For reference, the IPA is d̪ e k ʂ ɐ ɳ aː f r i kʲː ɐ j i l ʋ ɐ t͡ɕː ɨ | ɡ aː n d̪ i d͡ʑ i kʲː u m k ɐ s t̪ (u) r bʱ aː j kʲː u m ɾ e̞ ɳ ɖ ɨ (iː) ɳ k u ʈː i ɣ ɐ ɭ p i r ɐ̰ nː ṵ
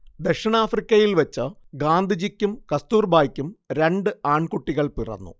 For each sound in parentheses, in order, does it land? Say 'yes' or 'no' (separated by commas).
no, no